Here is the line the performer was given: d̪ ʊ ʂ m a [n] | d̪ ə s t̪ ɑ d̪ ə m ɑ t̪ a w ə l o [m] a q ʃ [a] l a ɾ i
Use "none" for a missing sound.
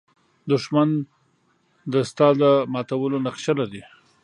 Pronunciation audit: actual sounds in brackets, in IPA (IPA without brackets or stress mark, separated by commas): n, n, a